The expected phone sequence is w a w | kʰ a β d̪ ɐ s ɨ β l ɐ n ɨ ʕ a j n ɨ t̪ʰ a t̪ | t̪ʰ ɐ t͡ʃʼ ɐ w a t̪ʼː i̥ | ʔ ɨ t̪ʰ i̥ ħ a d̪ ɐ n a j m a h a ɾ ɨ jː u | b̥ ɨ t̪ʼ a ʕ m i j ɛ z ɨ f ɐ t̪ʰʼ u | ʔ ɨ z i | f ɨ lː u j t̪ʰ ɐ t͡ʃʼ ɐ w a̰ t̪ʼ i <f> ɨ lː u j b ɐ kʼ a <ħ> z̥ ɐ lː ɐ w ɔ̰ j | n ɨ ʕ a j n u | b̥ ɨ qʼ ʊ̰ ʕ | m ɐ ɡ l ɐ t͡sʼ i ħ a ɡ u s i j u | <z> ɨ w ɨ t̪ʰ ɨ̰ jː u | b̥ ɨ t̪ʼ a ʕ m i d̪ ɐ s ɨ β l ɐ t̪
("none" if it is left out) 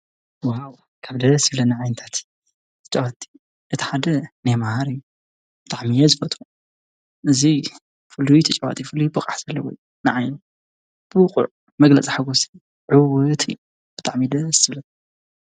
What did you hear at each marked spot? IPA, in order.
f, ħ, ʕ

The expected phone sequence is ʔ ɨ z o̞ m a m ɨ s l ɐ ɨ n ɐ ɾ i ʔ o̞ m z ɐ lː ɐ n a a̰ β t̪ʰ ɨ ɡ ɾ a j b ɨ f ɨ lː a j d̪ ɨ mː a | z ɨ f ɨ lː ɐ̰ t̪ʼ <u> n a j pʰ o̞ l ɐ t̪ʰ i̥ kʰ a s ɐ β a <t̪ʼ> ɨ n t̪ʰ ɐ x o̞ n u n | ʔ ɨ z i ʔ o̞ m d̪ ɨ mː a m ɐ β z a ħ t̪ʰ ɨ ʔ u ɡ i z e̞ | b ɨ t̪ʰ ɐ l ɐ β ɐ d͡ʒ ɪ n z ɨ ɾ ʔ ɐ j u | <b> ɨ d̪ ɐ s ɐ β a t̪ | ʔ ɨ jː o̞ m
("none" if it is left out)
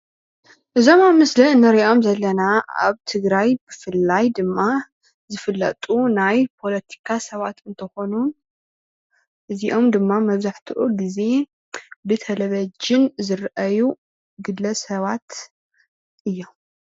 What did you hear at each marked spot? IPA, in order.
u, t̪, ɡ

